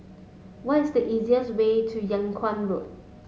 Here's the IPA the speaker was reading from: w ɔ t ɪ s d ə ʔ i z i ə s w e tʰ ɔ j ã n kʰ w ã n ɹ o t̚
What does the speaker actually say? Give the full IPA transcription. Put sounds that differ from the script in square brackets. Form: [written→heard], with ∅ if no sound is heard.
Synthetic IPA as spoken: w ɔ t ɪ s d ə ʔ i z i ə s w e tʰ [ɔ→u] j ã [n→ŋ] kʰ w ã n ɹ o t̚